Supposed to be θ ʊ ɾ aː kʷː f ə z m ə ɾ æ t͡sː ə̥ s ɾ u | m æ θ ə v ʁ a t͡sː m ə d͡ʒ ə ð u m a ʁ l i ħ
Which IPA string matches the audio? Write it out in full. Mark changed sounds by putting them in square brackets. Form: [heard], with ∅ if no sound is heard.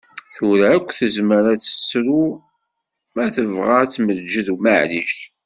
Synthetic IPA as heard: θ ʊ ɾ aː kʷː [θ] ə z m ə ɾ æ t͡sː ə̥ s ɾ u | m æ θ ə v ʁ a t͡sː m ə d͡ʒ ə ð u m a [ʕ] l i [ʃ]